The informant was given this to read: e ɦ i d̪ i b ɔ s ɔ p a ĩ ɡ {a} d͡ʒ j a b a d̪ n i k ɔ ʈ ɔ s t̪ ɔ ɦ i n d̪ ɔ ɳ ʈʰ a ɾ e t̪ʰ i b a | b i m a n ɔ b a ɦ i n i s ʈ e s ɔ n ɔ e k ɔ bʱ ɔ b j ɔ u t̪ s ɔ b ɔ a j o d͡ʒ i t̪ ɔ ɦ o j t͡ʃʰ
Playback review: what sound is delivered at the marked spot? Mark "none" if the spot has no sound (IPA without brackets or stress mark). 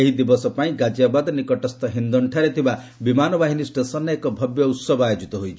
a